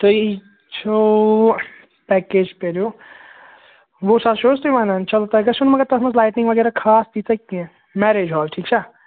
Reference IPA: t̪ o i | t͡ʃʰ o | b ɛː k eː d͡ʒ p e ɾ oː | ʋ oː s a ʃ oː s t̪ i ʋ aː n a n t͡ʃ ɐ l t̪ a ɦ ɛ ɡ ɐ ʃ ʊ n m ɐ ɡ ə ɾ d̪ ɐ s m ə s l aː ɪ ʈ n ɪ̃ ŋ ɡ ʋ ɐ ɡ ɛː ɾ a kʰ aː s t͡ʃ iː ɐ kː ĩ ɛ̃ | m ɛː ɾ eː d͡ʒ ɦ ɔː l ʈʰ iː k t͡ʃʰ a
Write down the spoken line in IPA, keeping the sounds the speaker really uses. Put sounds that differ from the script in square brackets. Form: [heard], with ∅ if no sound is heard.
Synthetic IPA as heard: t̪ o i | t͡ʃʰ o | [p] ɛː k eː d͡ʒ p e ɾ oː | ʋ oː s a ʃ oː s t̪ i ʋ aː n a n t͡ʃ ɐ l t̪ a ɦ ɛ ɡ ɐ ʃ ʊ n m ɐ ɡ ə ɾ [t̪] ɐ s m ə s l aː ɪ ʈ n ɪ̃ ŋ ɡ ʋ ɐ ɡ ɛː ɾ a kʰ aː s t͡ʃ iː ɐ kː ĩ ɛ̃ | m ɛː ɾ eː d͡ʒ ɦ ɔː l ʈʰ iː k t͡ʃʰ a